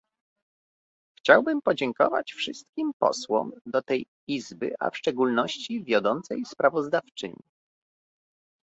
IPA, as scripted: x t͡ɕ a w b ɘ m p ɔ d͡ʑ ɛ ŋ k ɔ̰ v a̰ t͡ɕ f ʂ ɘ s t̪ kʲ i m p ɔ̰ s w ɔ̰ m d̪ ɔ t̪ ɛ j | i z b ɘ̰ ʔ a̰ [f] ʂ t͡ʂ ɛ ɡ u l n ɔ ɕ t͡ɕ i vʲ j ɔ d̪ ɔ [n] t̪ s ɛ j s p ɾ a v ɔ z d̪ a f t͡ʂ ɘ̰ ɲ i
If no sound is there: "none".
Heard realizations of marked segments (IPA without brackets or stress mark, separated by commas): f, n